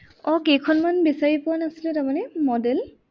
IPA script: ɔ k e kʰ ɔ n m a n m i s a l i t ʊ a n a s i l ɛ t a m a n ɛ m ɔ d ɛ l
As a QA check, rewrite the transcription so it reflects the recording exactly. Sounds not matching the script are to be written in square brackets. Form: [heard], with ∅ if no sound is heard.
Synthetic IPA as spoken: ɔ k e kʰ ɔ n m a n [b] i s a [ɹ] i [p] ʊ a n a s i l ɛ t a m a n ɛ m ɔ d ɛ l